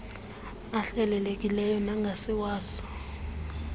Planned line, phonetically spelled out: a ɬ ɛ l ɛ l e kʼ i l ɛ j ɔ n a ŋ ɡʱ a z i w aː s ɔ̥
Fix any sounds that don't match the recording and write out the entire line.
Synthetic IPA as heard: a ɬ ɛ l ɛ l e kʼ i l ɛ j ɔ n a ŋ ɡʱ a s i w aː s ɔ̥

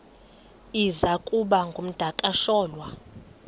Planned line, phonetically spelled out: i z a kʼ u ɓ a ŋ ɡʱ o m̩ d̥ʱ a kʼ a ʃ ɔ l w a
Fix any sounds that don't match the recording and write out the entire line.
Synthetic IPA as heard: i z a kʼ u ɓ a ŋ ɡʱ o m̩ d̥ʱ a kʼ a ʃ ɔː l w a

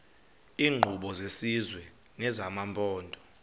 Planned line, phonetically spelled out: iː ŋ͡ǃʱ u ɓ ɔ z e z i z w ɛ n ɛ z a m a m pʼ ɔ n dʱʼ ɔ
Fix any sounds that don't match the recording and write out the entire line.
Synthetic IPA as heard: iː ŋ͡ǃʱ u ɓ ɔ z e s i z w ɛ n ɛ z a m a m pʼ ɔː n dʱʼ ɔ

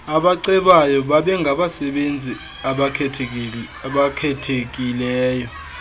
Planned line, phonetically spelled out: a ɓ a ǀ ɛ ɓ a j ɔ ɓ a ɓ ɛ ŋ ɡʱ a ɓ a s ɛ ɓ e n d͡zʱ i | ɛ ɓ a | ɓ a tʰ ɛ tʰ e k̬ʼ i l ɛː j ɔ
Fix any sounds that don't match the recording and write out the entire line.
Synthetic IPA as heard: a ɓ a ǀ ɛ ɓ a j ɔ ɓ a ɓ ɛ ŋ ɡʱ a ɓ a s ɛ ɓ e n d͡zʱ i | a ɓ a | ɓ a kʰ ɛ tʰ e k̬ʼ i l ɛː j ɔ

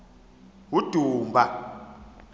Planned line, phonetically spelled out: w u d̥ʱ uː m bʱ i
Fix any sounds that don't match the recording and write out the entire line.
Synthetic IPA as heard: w u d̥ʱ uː m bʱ a

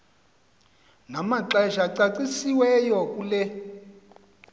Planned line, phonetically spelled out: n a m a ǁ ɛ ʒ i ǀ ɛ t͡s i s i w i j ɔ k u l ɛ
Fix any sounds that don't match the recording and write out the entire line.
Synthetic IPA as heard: n a m a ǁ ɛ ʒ a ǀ a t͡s i s i w ɛ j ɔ k u l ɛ

